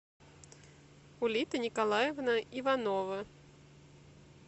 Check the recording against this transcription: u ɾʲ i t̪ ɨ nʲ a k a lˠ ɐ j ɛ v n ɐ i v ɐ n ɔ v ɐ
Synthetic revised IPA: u lʲ i t̪ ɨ nʲ i k a lˠ a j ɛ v n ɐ i v a n ɔ v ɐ